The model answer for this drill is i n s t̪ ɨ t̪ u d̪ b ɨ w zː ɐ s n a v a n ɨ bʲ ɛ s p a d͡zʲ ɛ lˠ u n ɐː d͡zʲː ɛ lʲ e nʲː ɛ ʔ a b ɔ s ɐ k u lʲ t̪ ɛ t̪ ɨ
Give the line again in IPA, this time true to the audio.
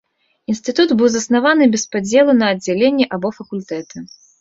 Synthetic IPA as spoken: i n s t̪ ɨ t̪ u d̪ b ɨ w z ɐ s n a v a n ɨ bʲ ɛ s p a d͡zʲ ɛ lˠ u n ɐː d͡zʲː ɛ lʲ e nʲː ɛ ʔ a b ɔ f ɐ k u lʲ t̪ ɛ t̪ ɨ